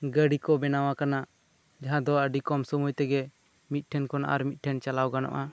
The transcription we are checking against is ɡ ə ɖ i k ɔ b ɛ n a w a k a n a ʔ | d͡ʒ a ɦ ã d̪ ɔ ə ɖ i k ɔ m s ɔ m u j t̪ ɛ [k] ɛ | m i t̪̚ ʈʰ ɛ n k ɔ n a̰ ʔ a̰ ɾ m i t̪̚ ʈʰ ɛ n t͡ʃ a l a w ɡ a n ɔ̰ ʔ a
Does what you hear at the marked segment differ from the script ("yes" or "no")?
yes